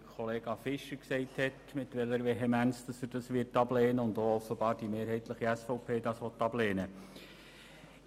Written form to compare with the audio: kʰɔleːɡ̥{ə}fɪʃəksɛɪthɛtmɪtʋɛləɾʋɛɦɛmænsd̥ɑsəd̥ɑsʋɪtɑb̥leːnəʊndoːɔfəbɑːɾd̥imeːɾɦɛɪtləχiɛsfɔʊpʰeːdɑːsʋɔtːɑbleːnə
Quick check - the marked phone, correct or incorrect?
incorrect